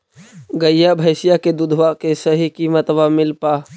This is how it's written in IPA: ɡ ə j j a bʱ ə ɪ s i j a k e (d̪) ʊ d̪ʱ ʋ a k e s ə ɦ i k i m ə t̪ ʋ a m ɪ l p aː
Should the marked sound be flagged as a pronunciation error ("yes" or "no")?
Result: no